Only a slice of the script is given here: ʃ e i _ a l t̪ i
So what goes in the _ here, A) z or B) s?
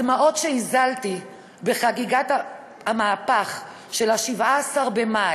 A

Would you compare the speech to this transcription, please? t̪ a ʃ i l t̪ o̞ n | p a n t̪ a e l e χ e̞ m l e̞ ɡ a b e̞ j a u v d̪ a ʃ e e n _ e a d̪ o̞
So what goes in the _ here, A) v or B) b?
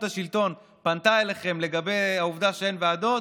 A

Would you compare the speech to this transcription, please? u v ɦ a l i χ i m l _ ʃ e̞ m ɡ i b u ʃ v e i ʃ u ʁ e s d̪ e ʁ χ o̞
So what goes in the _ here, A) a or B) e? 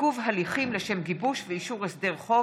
B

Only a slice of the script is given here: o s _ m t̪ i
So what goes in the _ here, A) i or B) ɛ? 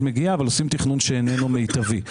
A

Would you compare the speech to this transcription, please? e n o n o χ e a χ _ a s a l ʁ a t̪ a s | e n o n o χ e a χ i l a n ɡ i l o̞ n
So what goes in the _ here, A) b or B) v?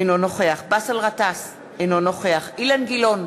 A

